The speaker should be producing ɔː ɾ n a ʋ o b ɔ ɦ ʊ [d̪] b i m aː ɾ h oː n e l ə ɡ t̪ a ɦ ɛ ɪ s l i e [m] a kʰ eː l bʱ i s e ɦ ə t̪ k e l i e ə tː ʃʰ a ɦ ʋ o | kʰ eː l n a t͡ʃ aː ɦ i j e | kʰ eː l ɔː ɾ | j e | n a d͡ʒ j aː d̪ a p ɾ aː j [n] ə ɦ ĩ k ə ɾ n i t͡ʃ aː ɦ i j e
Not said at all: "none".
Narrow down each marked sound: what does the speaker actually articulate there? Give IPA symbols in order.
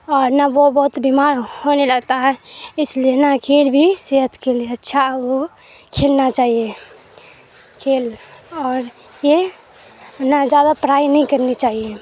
t̪, n, n

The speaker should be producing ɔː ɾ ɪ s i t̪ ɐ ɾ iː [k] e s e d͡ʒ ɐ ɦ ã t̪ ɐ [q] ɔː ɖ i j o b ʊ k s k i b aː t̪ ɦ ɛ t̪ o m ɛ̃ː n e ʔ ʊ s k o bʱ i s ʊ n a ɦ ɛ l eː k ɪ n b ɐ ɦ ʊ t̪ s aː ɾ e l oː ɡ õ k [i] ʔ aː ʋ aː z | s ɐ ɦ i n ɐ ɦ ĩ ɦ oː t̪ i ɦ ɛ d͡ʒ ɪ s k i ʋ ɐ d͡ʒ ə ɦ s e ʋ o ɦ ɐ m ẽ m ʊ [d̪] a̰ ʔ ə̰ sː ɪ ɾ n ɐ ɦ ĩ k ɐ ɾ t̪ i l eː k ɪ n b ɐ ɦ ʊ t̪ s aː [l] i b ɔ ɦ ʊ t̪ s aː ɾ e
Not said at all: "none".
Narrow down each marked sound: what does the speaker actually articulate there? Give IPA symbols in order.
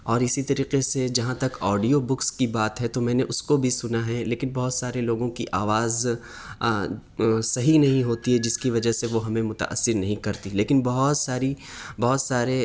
q, k, i, t̪, ɾ

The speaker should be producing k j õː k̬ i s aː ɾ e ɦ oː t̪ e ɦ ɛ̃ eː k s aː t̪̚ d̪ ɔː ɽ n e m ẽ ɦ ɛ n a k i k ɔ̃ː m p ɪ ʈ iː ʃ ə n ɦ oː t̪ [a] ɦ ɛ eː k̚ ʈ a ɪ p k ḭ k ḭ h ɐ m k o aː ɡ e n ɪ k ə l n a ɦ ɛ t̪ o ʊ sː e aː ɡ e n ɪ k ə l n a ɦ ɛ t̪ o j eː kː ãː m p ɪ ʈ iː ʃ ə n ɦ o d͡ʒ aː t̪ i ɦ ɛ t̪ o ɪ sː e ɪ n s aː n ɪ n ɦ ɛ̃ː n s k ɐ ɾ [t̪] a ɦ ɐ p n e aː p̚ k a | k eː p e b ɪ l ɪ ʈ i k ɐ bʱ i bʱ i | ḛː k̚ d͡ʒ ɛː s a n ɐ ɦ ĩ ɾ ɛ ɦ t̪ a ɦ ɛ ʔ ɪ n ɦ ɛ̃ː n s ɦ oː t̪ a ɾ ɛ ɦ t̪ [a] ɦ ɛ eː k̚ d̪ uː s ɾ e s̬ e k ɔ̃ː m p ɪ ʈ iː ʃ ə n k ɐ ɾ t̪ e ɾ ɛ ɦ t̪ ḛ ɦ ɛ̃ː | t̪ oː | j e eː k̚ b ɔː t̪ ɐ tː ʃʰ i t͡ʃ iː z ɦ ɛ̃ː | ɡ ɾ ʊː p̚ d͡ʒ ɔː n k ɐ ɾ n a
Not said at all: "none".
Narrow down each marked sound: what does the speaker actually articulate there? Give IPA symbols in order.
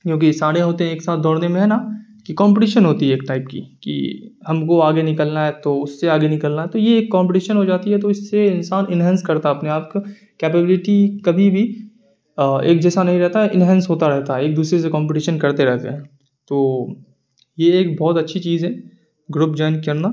i, t̪, a

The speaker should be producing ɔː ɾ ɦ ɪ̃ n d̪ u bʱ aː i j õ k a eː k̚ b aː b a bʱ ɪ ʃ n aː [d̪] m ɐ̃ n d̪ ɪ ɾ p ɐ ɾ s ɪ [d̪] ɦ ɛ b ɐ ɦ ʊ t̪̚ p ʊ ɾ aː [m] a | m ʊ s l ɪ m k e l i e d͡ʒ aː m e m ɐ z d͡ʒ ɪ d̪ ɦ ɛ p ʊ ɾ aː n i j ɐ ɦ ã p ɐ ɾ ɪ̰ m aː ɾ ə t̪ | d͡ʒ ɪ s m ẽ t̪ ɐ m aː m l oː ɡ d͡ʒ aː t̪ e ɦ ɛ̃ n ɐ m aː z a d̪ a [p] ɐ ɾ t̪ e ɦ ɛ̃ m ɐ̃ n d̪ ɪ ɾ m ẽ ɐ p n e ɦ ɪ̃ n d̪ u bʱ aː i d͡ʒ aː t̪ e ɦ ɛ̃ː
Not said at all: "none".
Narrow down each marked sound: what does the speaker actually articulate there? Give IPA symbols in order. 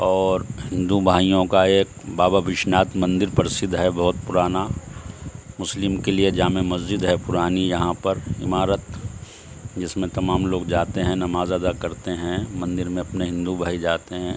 t̪, d̪, n, k

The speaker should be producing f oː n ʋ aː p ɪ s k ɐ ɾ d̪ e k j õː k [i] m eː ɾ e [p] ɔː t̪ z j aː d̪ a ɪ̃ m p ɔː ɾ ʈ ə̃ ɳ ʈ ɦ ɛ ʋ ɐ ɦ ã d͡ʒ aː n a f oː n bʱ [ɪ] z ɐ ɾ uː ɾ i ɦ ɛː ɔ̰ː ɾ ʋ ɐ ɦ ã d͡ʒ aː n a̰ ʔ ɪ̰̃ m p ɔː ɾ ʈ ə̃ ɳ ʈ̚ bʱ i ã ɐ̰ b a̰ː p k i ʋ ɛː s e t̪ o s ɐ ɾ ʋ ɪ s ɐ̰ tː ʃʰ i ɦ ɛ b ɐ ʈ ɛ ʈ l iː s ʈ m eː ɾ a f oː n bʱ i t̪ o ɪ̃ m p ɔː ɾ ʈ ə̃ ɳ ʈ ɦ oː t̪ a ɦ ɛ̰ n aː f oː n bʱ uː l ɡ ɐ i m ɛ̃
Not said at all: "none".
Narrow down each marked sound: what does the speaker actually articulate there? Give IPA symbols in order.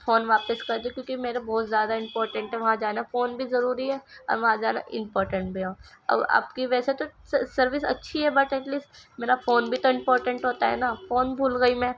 i, b, i

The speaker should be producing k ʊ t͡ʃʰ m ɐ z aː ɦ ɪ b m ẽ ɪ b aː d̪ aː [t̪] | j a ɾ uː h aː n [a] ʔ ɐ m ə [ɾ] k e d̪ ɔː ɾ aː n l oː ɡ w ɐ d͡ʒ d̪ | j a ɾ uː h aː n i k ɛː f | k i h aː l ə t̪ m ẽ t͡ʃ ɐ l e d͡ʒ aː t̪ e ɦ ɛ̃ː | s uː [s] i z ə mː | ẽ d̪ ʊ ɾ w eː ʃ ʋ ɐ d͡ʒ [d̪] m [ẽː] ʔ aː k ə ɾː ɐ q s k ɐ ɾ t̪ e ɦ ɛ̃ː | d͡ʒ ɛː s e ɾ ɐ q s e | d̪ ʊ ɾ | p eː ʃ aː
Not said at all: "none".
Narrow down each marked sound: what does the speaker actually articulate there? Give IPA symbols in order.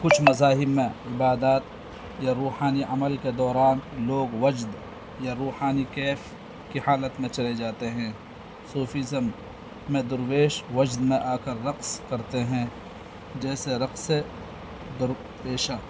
t̪, i, l, f, d̪, ẽ

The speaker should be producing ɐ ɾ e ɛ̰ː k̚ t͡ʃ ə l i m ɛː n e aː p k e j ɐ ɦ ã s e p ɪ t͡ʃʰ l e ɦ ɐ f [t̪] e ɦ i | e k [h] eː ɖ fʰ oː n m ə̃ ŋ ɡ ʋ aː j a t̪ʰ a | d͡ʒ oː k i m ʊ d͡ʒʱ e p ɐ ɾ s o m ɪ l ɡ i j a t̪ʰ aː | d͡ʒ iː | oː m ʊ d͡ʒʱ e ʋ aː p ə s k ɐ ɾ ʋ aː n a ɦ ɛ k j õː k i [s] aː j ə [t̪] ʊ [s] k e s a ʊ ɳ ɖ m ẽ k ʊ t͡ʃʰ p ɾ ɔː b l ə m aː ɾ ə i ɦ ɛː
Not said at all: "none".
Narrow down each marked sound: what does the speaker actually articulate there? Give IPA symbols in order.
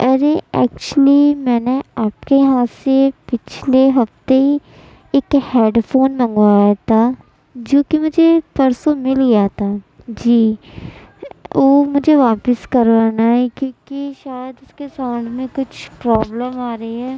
t̪, h, ʃ, d̪, s

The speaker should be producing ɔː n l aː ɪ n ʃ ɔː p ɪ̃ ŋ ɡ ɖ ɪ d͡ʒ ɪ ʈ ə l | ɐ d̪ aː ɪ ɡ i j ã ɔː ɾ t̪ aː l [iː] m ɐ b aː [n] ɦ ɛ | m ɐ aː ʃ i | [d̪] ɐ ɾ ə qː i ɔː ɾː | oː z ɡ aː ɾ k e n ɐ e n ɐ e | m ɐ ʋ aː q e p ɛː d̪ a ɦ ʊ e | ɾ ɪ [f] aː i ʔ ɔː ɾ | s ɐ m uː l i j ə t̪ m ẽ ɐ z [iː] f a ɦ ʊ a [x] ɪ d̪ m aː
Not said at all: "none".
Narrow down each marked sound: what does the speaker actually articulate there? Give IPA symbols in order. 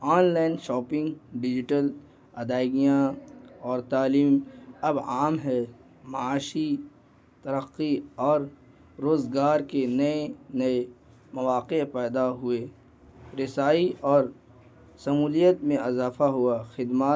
iː, m, t̪, s, aː, x

